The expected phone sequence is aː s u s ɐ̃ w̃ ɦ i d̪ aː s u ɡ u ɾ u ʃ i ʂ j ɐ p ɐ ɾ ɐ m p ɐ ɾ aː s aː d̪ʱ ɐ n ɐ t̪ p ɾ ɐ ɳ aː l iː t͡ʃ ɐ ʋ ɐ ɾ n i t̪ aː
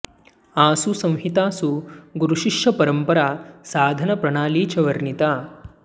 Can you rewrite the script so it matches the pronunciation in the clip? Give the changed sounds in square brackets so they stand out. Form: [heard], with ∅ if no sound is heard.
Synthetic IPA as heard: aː s u s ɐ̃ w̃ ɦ i [t̪] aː s u ɡ u ɾ u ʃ i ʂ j ɐ p ɐ ɾ ɐ m p ɐ ɾ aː s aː d̪ʱ ɐ n ɐ [∅] p ɾ ɐ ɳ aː l iː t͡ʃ ɐ ʋ ɐ ɾ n i t̪ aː

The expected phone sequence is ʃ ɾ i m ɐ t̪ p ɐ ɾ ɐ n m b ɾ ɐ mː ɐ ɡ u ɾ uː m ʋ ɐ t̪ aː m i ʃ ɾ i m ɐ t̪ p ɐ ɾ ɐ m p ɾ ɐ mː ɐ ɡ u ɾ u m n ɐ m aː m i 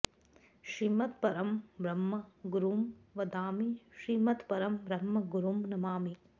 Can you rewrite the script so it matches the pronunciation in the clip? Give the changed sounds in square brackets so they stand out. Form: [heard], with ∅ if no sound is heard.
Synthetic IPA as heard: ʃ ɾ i m ɐ t̪ p ɐ ɾ ɐ [∅] m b ɾ ɐ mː ɐ ɡ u ɾ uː m ʋ ɐ [d̪] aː m i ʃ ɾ i m ɐ t̪ p ɐ ɾ ɐ m [b] ɾ ɐ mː ɐ ɡ u ɾ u m n ɐ m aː m i

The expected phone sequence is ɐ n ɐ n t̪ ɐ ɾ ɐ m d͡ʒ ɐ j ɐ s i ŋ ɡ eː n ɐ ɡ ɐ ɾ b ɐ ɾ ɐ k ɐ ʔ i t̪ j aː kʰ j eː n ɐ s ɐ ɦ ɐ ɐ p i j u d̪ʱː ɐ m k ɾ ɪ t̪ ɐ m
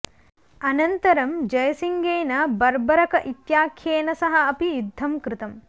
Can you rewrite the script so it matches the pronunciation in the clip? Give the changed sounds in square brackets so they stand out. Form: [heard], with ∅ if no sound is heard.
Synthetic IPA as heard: ɐ n ɐ n t̪ ɐ ɾ ɐ m d͡ʒ ɐ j ɐ s i ŋ ɡ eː n ɐ [b] ɐ ɾ b ɐ ɾ ɐ k ɐ ʔ i t̪ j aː kʰ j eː n ɐ s ɐ ɦ ɐ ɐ p i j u d̪ʱː ɐ m k ɾ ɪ t̪ ɐ m

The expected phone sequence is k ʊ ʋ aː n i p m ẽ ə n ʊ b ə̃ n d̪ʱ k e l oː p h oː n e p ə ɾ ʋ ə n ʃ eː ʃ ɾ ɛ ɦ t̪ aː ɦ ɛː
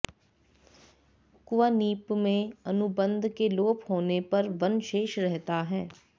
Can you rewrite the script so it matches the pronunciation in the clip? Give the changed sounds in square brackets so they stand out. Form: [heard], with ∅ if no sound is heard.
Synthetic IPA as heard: k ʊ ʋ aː n [iː] p m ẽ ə n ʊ b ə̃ n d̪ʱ k e l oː p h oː n e p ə ɾ ʋ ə n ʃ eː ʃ ɾ ɛ ɦ t̪ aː ɦ ɛː

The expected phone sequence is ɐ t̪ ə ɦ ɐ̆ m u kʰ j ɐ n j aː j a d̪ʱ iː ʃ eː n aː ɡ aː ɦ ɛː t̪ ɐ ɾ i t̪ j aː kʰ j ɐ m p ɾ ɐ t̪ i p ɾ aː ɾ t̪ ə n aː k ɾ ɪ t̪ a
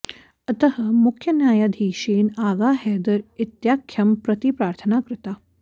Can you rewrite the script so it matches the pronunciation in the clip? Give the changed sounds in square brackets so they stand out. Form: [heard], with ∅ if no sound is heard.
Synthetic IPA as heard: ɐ t̪ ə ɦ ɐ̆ m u kʰ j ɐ n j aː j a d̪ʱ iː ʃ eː n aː ɡ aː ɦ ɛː [d̪] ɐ ɾ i t̪ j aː kʰ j ɐ m p ɾ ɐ t̪ i p ɾ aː ɾ [t̪ʰ] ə n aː k ɾ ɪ t̪ a

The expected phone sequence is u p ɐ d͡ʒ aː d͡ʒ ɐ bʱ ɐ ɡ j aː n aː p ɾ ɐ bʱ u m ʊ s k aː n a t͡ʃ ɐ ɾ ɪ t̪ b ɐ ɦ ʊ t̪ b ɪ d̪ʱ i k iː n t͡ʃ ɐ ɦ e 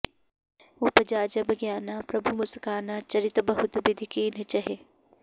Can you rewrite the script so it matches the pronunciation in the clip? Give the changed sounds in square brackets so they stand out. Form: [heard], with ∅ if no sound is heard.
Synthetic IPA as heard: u p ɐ d͡ʒ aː d͡ʒ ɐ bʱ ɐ ɡ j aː n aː p ɾ ɐ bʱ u m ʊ s k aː n a t͡ʃ ɐ ɾ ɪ t̪ b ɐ ɦ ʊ t̪ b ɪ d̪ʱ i k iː n t͡ʃ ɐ ɦ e

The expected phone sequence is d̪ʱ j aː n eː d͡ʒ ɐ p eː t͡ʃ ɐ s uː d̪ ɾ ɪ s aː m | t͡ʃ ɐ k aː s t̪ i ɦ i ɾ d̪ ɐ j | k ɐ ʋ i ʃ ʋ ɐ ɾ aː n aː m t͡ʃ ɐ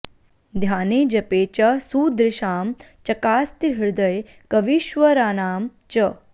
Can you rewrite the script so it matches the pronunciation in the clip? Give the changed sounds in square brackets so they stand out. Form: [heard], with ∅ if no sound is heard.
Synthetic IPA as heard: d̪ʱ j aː n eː d͡ʒ ɐ p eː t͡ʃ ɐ s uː d̪ ɾ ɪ [ʃ] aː m | t͡ʃ ɐ k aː s t̪ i ɦ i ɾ d̪ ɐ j | k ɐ ʋ i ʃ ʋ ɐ ɾ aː n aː m t͡ʃ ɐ

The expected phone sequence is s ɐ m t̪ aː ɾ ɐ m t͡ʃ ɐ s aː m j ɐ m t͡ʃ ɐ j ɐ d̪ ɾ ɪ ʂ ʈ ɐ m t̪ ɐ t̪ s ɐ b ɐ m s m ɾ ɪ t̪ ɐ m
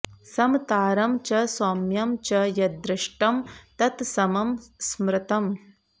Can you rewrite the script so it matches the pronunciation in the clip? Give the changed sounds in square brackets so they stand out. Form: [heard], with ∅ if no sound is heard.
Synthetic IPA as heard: s ɐ m t̪ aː ɾ ɐ m t͡ʃ ɐ s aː m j ɐ m t͡ʃ ɐ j ɐ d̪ ɾ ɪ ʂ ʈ ɐ m t̪ ɐ t̪ s ɐ [m] ɐ m s m ɾ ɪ t̪ ɐ m

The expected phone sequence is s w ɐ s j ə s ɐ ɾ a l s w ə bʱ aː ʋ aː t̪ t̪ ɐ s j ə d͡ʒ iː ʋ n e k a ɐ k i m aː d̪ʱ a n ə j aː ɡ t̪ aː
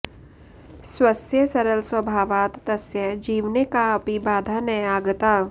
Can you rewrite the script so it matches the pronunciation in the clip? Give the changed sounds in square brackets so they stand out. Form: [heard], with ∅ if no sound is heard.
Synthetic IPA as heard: s w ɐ s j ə s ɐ ɾ [ə] l s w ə bʱ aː ʋ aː t̪ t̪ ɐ s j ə d͡ʒ iː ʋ n e k a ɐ [p] i [b] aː d̪ʱ a n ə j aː ɡ t̪ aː

